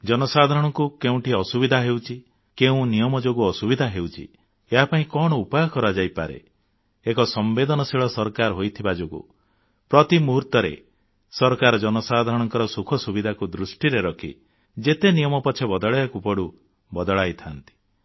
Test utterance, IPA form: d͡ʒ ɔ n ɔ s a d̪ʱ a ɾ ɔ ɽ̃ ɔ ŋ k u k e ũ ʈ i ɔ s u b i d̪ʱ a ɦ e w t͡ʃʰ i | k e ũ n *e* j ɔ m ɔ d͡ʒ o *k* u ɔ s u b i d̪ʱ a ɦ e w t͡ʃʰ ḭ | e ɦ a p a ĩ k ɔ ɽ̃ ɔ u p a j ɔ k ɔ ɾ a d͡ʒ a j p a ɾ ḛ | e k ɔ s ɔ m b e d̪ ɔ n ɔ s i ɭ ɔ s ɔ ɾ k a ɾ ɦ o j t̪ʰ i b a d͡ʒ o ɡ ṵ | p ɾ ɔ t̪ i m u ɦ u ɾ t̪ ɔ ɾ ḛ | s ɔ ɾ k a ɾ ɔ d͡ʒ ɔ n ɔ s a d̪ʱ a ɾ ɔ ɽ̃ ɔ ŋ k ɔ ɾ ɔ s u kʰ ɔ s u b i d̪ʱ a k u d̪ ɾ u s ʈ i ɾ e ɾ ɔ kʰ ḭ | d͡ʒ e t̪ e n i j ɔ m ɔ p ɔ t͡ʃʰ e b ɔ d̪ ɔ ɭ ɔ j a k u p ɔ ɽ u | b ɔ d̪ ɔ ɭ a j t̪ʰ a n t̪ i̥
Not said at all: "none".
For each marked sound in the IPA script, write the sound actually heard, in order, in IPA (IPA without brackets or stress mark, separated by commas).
i, ɡ